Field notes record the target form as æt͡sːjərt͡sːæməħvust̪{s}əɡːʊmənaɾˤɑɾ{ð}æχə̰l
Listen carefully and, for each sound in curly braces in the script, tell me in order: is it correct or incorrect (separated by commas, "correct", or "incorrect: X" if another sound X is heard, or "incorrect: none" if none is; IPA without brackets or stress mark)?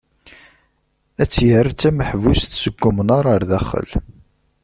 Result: correct, correct